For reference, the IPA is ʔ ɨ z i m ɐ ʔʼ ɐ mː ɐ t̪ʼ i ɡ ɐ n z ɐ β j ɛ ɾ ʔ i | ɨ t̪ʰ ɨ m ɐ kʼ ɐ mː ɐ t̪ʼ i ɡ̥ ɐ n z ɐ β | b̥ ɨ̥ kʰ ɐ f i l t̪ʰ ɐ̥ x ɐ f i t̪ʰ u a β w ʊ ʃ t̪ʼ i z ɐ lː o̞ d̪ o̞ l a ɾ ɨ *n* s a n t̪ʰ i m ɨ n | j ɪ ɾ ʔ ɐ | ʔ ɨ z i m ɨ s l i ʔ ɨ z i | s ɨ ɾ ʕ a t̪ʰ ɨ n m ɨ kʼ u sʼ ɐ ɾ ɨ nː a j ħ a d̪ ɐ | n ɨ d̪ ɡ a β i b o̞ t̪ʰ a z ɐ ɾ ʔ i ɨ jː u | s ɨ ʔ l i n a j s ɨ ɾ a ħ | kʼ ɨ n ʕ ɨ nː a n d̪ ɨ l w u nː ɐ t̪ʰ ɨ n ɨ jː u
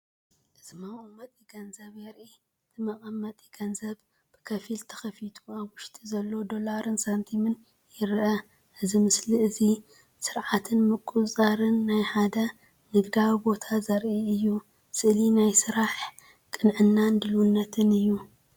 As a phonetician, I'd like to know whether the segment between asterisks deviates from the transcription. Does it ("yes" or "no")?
no